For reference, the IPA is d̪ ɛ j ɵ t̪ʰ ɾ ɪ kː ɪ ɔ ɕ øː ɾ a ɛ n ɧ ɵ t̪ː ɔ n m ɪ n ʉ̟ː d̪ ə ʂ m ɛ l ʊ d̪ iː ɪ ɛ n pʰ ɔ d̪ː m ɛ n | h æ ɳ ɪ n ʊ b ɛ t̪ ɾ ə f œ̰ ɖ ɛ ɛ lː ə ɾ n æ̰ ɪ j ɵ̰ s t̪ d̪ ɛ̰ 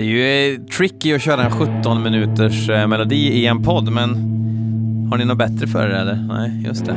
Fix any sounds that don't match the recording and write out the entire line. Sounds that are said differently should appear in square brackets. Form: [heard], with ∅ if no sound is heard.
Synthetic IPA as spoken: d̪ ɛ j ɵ t̪ʰ ɾ ɪ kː ɪ ɔ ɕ øː ɾ a ɛ n ɧ ɵ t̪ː ɔ n m ɪ n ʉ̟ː [t̪] ə ʂ m ɛ l ʊ d̪ iː ɪ ɛ n pʰ ɔ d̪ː m ɛ n | h [a] ɳ ɪ n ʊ b ɛ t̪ ɾ ə f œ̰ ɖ ɛ ɛ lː ə ɾ n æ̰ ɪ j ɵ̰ s t̪ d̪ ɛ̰